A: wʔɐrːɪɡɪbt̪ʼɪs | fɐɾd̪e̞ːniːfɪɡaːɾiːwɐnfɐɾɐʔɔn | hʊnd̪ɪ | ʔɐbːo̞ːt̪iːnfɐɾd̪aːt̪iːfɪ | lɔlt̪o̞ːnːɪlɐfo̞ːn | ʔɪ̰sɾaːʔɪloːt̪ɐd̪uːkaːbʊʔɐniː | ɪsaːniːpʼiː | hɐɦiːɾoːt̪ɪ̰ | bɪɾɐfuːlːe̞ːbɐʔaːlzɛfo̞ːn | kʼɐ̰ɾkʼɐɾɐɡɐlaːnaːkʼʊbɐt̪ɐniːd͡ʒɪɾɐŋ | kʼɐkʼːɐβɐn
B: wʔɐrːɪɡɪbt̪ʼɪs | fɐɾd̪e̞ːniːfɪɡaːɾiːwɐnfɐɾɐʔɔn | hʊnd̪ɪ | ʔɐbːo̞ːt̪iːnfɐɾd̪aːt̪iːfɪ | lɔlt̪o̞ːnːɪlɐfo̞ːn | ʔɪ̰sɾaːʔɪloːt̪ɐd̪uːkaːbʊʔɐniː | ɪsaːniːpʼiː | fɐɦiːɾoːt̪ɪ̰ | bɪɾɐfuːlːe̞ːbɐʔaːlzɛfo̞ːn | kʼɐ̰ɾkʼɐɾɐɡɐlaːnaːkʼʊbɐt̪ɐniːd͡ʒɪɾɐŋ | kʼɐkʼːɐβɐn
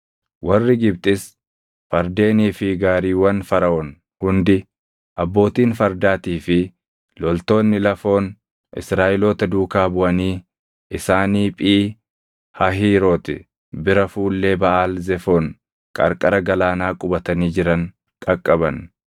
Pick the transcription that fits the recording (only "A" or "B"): A